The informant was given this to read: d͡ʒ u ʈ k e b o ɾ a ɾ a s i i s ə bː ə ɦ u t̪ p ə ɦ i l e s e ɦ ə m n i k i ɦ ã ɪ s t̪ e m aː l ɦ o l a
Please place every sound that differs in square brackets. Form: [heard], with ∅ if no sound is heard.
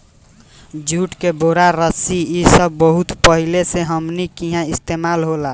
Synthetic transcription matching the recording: d͡ʒ u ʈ k e b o ɾ a ɾ [ə] s i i s ə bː ə ɦ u t̪ p ə ɦ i l e s e ɦ ə m n i k i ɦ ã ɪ s t̪ e m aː l ɦ o l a